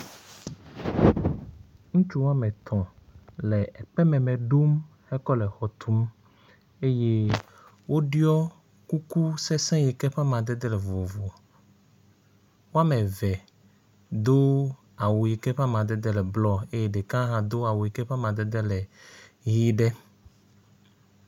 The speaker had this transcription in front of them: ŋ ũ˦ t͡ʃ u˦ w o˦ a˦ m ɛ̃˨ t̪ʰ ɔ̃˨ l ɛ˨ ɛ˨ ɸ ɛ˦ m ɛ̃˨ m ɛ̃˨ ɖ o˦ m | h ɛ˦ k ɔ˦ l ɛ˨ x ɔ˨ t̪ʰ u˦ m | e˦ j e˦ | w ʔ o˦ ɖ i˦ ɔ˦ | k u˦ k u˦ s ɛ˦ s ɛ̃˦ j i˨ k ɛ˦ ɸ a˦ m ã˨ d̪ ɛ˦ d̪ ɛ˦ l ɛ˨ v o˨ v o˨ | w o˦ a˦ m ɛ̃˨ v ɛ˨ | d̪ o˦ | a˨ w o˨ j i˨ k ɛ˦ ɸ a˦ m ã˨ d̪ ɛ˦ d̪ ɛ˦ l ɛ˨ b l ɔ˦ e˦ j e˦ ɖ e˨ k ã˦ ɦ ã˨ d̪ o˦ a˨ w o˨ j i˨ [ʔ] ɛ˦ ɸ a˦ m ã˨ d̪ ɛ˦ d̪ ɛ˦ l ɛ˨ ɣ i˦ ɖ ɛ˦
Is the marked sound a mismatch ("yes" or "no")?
yes